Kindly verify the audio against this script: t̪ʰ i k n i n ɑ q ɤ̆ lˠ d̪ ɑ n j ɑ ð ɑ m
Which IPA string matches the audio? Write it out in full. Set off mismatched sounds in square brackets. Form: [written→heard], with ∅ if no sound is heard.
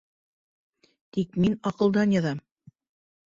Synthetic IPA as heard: [t̪ʰ→t̪] i k [n→m] i n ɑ q ɤ̆ lˠ d̪ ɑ n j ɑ ð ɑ m